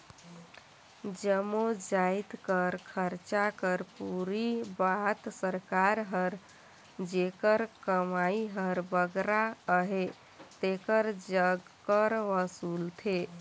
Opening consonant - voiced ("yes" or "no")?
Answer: yes